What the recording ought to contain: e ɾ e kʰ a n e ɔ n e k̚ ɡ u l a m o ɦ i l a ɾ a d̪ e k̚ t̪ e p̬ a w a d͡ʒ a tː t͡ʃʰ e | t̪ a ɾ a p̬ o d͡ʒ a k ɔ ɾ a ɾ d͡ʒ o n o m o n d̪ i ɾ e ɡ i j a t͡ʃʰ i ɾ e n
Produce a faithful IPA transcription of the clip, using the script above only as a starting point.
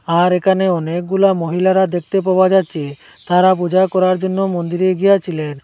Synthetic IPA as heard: a ɾ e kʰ a n e ɔ n e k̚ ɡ u l a m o ɦ i l a ɾ a d̪ e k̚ t̪ e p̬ a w a d͡ʒ a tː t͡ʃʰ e | t̪ a ɾ a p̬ u d͡ʒ a k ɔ ɾ a ɾ d͡ʒ o nː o m o n d̪ i ɾ e ɡ i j a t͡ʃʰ i l e n